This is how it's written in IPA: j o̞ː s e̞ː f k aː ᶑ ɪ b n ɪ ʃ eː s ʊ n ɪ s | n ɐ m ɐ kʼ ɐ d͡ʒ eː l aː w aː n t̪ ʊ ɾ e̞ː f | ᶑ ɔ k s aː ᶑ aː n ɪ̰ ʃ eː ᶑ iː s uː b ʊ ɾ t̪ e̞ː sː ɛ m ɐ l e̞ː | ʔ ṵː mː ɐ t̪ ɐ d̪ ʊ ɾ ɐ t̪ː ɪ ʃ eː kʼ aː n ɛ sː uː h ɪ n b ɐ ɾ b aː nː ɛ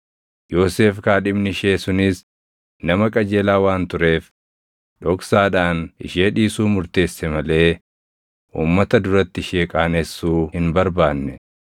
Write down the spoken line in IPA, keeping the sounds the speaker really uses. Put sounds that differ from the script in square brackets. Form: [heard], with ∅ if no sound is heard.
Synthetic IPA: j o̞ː s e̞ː f k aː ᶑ ɪ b n ɪ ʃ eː s ʊ n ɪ s | n ɐ m ɐ kʼ ɐ d͡ʒ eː l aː w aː n t̪ ʊ ɾ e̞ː f | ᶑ ɔ k s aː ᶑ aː n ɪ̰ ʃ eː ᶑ iː s uː [m] ʊ ɾ t̪ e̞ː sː ɛ m ɐ l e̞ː | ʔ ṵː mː ɐ t̪ ɐ d̪ ʊ ɾ ɐ t̪ː ɪ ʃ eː kʼ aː n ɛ sː uː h ɪ n b ɐ ɾ b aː nː ɛ

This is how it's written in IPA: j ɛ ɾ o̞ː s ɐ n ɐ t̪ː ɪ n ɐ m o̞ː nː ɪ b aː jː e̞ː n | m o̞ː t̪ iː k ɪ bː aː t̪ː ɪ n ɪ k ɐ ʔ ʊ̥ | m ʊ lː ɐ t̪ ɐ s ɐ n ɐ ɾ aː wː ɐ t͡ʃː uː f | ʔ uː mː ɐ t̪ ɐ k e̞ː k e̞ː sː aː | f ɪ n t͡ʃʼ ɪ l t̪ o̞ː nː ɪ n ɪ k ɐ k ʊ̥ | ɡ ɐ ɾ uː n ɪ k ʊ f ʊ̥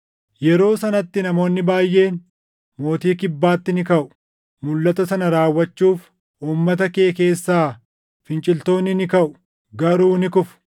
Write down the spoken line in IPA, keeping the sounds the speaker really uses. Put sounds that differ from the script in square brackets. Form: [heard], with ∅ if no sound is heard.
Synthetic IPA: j ɛ ɾ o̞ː s ɐ n ɐ t̪ː ɪ n ɐ m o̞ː nː ɪ b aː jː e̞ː n | m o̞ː t̪ iː k ɪ bː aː t̪ː ɪ n ɪ k ɐ ʔ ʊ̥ | m ʊ lː ɐ t̪ ɐ s ɐ n ɐ ɾ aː wː ɐ t͡ʃː uː f | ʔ uː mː ɐ t̪ ɐ k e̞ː k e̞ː sː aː | f ɪ n t͡ʃʼ ɪ l t̪ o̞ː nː ɪ n ɪ k ɐ [ʔ] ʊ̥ | ɡ ɐ ɾ uː n ɪ k ʊ f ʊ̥

